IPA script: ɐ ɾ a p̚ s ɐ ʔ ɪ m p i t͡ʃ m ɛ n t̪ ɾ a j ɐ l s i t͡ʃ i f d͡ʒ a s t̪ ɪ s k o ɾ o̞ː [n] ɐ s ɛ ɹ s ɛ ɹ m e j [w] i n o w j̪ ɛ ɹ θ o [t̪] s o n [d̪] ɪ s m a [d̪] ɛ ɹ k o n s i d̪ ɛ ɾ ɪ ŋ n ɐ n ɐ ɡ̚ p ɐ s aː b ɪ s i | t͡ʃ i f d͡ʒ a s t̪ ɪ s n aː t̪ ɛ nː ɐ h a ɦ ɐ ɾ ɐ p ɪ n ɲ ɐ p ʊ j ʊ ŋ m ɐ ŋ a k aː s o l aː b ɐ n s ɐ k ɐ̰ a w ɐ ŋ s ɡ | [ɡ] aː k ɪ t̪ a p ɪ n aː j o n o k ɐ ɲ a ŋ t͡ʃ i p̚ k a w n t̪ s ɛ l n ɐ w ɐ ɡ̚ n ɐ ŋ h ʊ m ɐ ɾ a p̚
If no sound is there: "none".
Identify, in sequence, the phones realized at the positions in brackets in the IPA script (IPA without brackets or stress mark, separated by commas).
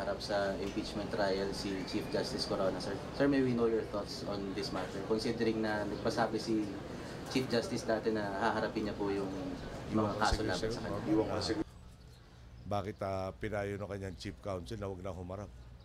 n, w, t̪, d̪, t̪, b